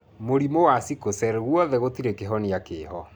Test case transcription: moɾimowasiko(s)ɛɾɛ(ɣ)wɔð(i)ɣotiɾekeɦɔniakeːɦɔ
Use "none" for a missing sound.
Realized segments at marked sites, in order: s, ɣ, ɛ

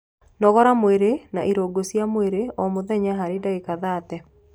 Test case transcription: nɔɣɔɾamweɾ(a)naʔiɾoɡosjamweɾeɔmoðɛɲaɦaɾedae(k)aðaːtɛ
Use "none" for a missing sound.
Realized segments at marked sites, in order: e, k

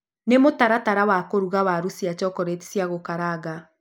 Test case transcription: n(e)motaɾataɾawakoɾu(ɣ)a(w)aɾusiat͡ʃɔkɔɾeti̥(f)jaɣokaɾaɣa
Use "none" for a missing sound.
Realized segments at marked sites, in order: e, ɣ, w, s

